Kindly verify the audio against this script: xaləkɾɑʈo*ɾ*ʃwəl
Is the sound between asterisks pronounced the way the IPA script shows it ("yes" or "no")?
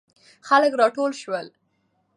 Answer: no